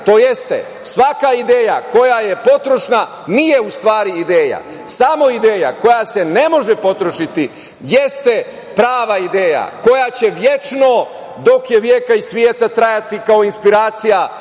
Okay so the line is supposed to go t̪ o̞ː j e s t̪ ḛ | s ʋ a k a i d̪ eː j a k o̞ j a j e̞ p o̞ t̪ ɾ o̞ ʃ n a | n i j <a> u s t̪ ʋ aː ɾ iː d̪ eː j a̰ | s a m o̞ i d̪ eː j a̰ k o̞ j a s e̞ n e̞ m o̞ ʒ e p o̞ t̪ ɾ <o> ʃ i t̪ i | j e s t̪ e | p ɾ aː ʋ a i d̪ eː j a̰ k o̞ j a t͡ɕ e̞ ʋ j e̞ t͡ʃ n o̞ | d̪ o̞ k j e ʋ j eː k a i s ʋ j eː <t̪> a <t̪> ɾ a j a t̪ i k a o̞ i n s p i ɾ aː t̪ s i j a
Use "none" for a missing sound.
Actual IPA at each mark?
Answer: e, o, t̪, t̪

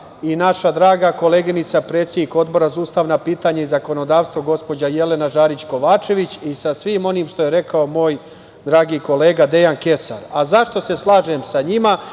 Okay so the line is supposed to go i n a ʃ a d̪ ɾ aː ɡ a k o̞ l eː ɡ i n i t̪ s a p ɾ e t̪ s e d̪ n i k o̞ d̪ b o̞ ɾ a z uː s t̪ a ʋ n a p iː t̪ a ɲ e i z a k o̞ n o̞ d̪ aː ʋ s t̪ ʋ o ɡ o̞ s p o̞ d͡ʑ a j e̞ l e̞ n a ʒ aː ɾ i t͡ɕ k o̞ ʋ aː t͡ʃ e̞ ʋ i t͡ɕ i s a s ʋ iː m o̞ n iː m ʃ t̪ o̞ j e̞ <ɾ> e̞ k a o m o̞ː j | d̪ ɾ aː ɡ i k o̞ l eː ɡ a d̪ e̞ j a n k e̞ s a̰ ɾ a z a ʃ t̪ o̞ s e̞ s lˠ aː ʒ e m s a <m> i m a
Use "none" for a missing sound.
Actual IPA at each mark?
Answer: ɾ, ɲ

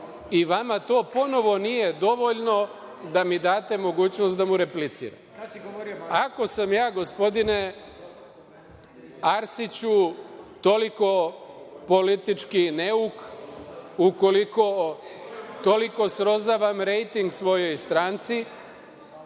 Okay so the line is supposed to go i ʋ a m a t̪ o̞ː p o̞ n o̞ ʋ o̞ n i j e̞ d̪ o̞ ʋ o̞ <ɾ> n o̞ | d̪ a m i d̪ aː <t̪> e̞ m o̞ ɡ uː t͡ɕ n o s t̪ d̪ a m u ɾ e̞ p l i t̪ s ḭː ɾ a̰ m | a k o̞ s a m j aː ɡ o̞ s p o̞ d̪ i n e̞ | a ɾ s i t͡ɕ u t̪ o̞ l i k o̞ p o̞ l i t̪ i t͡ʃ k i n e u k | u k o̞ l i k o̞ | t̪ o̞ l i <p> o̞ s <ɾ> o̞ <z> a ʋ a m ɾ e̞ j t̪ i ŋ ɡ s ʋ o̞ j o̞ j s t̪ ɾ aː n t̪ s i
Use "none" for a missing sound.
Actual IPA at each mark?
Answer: ʎ, t̪, k, ɾ, z

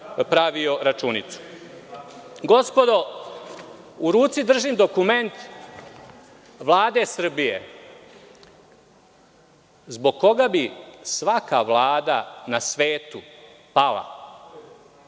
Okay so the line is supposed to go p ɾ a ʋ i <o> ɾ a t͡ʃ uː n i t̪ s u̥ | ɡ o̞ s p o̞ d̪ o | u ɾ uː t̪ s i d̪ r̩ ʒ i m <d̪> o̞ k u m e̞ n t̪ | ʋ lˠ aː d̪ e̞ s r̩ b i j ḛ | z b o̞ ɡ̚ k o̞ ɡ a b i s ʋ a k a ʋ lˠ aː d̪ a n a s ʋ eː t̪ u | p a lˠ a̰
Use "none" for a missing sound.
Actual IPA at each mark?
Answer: o, d̪

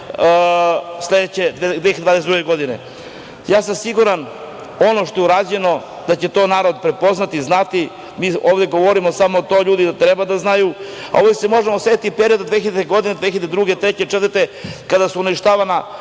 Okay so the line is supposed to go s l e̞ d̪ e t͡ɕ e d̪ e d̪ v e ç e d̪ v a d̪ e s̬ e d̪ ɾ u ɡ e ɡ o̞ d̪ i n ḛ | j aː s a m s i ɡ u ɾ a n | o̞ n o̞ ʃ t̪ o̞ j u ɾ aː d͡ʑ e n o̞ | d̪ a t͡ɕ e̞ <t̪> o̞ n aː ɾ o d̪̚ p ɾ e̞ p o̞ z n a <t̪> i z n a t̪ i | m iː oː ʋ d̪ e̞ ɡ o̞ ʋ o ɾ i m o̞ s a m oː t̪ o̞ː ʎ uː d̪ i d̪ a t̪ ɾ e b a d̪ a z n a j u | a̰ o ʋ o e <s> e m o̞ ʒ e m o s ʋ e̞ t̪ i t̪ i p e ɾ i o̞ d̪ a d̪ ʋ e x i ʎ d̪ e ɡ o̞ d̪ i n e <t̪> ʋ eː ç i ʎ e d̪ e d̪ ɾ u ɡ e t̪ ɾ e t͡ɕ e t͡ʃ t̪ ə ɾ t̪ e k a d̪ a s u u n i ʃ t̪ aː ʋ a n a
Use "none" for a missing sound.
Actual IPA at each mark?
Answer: t̪, t̪, s, d̪

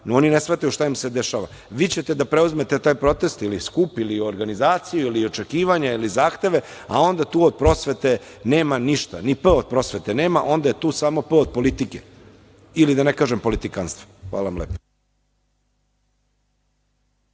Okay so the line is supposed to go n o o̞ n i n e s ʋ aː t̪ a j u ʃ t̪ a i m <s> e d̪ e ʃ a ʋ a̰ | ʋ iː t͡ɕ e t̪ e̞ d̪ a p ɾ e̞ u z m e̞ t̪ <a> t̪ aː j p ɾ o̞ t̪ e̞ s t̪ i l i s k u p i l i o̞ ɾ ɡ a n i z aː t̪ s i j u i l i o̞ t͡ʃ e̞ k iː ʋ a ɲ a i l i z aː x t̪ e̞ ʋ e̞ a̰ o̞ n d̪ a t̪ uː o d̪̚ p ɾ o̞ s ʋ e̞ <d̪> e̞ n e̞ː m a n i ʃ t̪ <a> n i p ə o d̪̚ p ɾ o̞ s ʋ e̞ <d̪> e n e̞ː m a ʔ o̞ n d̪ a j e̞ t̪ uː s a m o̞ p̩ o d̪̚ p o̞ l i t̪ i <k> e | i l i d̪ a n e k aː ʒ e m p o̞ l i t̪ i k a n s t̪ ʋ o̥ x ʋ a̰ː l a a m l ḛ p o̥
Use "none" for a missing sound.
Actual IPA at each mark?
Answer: s, e, t̪, a, t̪, k

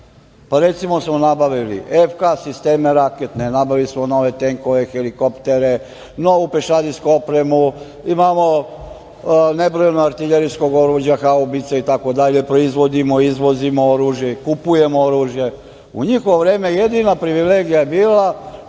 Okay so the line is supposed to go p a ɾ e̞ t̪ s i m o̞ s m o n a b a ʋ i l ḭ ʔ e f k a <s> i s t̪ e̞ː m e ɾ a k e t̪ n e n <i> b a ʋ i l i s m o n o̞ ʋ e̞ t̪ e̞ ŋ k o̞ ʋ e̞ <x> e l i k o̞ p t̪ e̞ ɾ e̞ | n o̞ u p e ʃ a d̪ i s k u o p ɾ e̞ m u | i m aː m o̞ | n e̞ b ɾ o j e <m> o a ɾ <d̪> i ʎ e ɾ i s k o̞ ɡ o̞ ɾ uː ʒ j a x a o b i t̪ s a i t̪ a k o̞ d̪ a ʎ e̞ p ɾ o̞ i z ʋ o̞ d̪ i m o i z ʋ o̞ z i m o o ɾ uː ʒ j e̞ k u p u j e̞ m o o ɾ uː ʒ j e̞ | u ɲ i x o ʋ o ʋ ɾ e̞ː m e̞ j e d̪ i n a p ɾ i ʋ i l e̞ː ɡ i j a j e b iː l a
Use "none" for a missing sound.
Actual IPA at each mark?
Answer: s, a, x, n, t̪

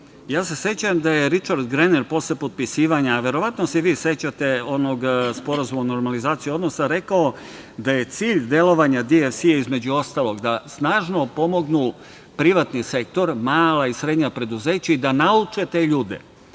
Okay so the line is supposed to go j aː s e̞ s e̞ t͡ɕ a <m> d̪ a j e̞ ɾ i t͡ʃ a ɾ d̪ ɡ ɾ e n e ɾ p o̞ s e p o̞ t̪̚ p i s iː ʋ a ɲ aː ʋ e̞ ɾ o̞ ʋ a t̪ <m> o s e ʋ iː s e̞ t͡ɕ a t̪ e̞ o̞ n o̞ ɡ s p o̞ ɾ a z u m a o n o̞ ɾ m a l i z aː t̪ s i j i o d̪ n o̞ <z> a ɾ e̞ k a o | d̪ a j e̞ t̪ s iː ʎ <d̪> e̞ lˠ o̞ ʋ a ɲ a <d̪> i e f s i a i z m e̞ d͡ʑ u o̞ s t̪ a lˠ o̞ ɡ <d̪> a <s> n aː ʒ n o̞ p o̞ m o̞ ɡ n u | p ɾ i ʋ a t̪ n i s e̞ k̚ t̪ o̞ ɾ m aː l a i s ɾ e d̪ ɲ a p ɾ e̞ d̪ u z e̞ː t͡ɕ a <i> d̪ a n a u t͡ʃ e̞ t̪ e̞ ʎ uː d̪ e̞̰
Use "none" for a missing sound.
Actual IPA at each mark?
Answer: m, n, s, d̪, d̪, d̪, s, i

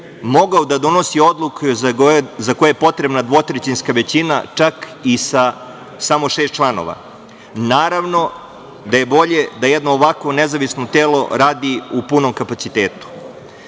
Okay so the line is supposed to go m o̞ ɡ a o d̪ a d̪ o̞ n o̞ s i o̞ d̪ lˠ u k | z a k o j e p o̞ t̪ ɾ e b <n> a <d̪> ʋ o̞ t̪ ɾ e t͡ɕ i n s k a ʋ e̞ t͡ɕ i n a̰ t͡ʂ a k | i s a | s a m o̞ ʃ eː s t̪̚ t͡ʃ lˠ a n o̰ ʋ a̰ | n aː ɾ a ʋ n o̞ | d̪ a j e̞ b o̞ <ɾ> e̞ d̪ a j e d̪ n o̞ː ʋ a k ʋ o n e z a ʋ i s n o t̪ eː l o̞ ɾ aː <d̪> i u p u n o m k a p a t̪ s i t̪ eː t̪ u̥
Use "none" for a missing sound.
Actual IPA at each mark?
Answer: n, d̪, ʎ, d̪

